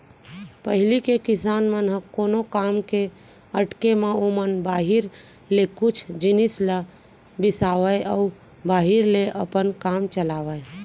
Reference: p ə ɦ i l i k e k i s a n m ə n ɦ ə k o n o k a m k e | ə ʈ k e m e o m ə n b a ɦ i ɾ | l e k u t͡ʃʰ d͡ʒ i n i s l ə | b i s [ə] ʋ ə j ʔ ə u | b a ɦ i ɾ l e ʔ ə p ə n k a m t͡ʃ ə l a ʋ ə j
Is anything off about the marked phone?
yes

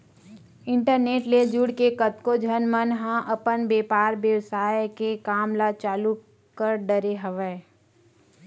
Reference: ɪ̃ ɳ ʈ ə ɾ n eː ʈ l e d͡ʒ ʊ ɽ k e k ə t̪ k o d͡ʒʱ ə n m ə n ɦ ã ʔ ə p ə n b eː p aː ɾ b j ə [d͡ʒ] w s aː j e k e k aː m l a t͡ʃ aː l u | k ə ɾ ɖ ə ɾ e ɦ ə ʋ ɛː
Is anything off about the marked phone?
yes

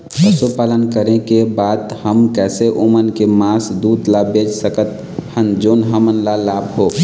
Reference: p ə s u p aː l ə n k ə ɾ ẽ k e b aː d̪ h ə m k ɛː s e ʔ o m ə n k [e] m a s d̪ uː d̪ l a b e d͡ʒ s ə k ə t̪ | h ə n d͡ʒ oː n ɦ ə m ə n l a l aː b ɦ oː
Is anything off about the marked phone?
no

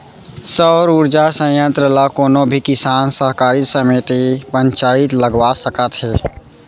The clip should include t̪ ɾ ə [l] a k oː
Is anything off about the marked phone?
no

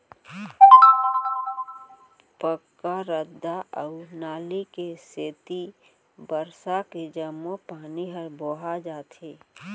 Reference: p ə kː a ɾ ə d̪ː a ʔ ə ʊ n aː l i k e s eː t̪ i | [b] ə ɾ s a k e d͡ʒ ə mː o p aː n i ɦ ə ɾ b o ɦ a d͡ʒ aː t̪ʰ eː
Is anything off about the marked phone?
no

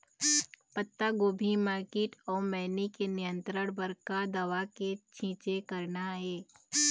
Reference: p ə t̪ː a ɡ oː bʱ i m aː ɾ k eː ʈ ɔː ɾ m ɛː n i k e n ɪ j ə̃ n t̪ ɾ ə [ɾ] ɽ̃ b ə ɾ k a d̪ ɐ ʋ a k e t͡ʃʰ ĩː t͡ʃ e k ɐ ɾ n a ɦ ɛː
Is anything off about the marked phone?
yes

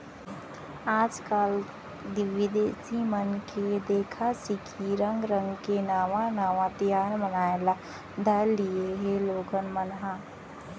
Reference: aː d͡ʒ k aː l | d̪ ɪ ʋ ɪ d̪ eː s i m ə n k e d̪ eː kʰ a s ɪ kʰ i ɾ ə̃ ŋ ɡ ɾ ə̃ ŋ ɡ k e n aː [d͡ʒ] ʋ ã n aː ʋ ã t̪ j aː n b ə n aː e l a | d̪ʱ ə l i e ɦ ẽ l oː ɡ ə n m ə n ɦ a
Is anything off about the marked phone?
yes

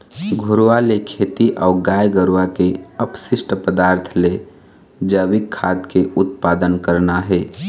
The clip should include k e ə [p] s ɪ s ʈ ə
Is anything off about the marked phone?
no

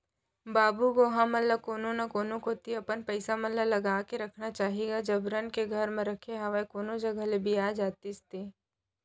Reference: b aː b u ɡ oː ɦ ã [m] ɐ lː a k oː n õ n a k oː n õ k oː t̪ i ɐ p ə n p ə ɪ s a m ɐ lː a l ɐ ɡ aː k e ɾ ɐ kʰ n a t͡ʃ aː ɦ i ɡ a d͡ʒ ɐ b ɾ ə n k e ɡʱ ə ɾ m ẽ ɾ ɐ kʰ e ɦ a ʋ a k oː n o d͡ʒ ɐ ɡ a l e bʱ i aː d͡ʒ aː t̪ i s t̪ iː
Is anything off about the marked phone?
no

